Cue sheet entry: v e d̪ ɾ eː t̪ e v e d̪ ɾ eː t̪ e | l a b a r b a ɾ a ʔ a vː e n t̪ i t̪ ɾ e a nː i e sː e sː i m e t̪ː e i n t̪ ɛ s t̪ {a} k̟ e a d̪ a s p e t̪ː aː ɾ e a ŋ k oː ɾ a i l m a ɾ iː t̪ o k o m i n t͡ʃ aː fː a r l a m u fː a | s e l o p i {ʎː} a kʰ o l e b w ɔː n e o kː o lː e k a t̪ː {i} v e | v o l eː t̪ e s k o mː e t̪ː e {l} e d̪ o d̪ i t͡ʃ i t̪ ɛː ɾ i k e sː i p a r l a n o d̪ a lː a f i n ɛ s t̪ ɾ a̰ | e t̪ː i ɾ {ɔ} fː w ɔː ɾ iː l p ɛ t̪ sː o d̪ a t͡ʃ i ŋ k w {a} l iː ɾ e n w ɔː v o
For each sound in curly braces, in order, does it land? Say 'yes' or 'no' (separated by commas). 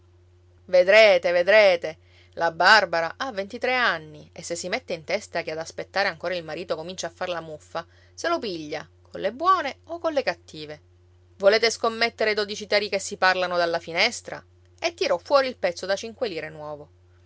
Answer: yes, yes, no, no, yes, no